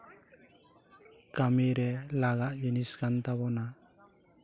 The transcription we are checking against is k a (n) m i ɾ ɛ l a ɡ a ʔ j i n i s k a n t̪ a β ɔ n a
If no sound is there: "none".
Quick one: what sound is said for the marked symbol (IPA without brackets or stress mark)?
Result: none